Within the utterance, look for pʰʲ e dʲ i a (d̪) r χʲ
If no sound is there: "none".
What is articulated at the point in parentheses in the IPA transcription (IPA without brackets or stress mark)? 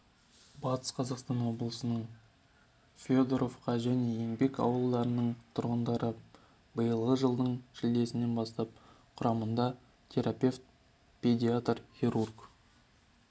t̪